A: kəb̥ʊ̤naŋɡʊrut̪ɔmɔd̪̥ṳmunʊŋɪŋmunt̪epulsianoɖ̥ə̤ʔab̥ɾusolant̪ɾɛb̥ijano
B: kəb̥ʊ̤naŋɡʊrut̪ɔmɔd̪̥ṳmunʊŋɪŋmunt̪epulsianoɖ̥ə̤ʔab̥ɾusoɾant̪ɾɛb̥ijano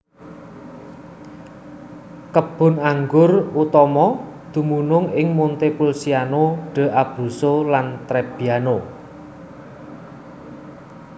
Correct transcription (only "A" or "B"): A